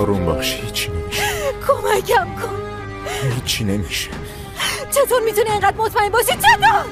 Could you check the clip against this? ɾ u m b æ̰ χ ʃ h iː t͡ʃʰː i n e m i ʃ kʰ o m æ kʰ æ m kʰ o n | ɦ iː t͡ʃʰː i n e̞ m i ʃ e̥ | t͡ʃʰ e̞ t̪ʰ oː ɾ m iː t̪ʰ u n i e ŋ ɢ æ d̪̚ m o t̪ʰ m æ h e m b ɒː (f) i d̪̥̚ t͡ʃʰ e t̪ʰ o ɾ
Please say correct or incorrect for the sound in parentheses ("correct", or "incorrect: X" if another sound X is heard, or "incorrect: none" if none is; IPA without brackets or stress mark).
incorrect: ʃ